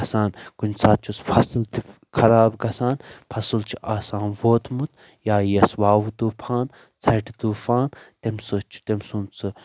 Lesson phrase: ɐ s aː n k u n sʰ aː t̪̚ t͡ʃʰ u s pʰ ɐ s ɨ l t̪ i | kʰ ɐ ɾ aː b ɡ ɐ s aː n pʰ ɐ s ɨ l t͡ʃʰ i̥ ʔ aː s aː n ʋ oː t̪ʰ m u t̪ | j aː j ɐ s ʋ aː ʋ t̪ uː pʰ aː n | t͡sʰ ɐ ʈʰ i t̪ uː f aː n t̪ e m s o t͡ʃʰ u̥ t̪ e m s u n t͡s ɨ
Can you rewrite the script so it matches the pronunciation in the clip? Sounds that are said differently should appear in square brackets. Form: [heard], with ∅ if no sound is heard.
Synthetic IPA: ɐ s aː n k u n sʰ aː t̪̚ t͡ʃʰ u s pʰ ɐ s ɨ l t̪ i | kʰ ɐ ɾ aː b ɡ ɐ s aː n pʰ ɐ s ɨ l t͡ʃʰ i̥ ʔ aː s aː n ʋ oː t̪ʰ m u t̪ | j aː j ɐ s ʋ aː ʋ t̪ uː pʰ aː n | t͡sʰ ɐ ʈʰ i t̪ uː f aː n t̪ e m s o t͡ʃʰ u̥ t̪ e m s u n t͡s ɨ